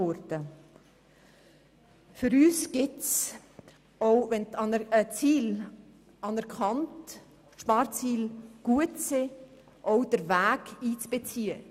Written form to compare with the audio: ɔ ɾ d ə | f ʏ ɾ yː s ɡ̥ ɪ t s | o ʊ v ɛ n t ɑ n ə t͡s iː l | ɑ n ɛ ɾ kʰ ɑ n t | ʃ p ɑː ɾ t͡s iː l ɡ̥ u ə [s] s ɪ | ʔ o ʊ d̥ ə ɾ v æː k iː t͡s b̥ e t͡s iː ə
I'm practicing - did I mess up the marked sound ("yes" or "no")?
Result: yes